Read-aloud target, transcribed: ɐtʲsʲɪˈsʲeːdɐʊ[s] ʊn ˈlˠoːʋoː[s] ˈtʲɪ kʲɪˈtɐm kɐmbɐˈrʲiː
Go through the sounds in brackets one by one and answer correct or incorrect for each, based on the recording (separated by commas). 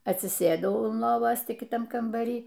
incorrect, correct